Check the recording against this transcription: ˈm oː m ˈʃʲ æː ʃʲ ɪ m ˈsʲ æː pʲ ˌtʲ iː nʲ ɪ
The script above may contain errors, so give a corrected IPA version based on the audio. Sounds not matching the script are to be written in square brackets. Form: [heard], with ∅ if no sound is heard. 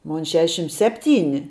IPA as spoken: ˈm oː [n] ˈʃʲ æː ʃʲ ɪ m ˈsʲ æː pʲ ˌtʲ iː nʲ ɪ